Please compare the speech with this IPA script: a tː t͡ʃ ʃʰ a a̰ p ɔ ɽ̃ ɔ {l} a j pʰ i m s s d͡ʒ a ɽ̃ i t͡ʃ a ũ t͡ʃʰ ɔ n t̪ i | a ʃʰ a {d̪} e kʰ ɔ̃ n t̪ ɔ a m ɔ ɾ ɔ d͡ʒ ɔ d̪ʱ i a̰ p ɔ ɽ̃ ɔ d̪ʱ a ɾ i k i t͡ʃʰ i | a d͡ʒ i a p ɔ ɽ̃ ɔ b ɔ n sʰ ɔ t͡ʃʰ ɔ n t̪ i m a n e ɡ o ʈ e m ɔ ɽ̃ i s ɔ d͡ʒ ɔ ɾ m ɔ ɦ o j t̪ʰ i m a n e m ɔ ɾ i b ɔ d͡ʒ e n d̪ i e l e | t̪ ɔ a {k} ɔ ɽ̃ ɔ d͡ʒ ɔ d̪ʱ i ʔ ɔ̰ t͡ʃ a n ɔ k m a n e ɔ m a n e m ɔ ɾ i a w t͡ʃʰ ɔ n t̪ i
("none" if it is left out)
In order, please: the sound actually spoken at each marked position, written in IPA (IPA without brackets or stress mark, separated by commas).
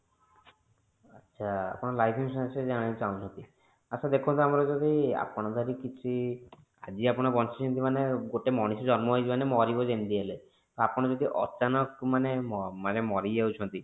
l, d̪, p